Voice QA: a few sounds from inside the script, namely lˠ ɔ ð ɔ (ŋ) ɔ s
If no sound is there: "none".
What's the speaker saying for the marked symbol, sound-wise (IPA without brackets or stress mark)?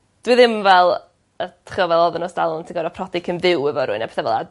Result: n